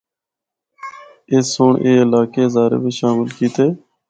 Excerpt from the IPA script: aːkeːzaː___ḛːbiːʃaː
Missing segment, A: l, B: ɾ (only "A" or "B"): B